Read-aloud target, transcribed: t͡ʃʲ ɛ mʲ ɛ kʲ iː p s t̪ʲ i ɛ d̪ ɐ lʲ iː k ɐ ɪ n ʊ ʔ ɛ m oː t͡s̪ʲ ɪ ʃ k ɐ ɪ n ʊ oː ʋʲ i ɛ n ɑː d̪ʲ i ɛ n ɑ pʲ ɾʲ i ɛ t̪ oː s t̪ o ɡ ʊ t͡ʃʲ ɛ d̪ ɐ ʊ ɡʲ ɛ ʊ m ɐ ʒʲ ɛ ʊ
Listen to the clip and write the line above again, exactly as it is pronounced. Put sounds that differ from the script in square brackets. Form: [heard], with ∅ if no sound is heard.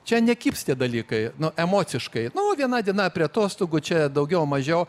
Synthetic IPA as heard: t͡ʃʲ ɛ [nʲ] ɛ kʲ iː p s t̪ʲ i ɛ d̪ ɐ lʲ iː k ɐ ɪ n ʊ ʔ ɛ m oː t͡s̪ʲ ɪ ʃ k ɐ ɪ n ʊ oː ʋʲ i ɛ n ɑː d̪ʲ i ɛ n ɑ pʲ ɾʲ i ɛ t̪ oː s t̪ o ɡ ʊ t͡ʃʲ ɛ d̪ ɐ ʊ ɡʲ ɛ ʊ m ɐ ʒʲ ɛ ʊ